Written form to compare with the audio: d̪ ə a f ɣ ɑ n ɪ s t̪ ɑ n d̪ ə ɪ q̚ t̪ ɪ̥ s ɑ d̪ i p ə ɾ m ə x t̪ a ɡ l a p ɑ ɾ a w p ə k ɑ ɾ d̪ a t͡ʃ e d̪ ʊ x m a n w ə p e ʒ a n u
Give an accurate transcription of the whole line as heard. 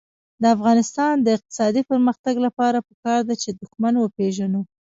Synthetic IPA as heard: d̪ ə a f ɣ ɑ n ɪ s t̪ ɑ n d̪ ə ɪ q̚ t̪ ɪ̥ s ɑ d̪ i p ə ɾ m ə x t̪ a ɡ l a p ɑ ɾ a p ə k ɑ ɾ d̪ a t͡ʃ e d̪ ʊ x m a n w ə p e ʒ a n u

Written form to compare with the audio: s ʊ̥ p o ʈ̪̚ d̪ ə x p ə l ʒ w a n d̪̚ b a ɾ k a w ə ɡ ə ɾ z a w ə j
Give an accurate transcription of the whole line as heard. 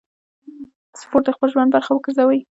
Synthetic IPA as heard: s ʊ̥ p o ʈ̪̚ d̪ ə x p ə l ʒ w a n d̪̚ b a ɾ x a w ə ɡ ə ɾ z a w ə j

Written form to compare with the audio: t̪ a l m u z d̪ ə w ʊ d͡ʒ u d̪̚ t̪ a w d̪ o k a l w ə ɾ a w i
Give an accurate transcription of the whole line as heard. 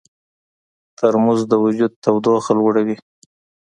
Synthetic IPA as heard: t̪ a ɾ m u z d̪ ə w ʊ d͡ʒ u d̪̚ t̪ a w d̪ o x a l w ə ɽ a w i

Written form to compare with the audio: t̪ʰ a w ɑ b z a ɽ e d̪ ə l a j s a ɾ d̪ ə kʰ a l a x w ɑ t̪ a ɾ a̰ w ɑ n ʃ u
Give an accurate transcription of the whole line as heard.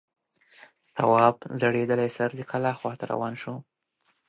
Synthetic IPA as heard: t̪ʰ a w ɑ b z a ɽ e d̪ ə l a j s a ɾ d̪ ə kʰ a l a x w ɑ t̪ a ɾ a̰ w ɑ n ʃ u

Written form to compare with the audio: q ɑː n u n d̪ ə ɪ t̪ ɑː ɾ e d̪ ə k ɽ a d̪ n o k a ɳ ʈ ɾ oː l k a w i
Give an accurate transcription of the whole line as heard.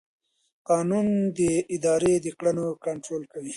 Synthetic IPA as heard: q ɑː n u n d̪ ə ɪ d̪ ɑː ɾ e d̪ ə k ɽ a n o k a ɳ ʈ ɾ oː l k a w i

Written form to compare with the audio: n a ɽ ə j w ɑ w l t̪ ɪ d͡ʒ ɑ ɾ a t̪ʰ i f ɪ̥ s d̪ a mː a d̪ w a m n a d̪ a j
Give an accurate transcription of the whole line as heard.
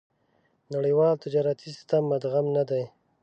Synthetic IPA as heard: n a ɽ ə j w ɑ l t̪ ɪ d͡ʒ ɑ ɾ a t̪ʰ i s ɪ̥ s t̪ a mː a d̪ ɣ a m n a d̪ a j

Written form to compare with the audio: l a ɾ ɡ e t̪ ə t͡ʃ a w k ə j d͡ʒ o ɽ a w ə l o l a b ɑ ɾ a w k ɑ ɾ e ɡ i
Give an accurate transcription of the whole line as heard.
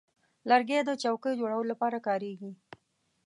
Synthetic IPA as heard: l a ɾ ɡ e d̪ ə t͡ʃ a w k ə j d͡ʒ o ɽ a w ə l o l a p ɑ ɾ a k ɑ ɾ e ɡ i

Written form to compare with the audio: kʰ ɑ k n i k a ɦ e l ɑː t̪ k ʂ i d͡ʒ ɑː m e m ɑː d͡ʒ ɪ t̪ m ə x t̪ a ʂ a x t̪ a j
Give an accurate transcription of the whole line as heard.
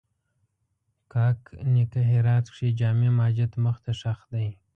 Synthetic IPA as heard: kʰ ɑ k n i k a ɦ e ɾ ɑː t̪ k ʂ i d͡ʒ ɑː m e m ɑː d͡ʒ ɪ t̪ m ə x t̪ a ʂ a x d̪ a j

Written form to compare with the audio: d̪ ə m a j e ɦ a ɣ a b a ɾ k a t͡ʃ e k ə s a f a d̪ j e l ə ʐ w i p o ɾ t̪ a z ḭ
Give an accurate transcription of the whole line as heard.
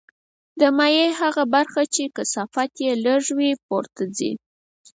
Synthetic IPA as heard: d̪ ə m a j e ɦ a ɣ a b a ɾ x a t͡ʃ e k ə s a f a t̪ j e l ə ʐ w i p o ɾ t̪ a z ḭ

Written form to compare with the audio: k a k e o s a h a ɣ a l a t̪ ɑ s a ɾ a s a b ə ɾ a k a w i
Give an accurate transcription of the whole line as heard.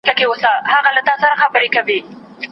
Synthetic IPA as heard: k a k e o s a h a ɣ a l a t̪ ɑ s a ɾ a x a b ə ɾ e k a w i

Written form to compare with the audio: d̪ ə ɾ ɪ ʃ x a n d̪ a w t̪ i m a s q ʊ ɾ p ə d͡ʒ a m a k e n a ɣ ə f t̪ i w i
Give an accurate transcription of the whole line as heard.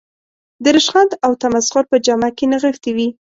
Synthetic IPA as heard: d̪ ə ɾ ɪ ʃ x a n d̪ a w t̪ a m a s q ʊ ɾ p ə d͡ʒ a m a k e n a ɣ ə f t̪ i w i

